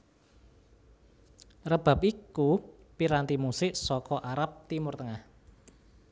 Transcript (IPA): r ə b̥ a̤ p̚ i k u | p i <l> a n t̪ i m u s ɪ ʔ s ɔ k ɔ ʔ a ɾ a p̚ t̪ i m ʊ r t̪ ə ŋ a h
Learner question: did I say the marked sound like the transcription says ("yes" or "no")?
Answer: no